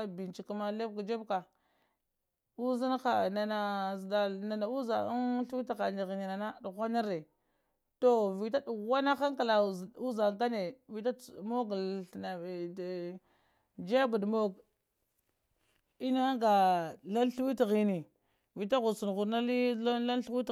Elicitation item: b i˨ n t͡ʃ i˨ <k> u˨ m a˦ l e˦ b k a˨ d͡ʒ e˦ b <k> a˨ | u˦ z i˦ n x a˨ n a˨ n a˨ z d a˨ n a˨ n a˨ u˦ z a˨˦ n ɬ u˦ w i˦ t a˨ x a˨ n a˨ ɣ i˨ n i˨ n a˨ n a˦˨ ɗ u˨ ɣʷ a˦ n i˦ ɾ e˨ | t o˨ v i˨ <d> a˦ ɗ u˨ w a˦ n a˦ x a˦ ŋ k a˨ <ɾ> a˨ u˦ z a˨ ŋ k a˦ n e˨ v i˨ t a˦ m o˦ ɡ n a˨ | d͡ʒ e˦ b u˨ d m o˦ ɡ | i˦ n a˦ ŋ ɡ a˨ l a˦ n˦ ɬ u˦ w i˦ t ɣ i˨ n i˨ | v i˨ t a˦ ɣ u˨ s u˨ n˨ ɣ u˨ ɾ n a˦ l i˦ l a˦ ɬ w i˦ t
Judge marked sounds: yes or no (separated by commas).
yes, yes, no, no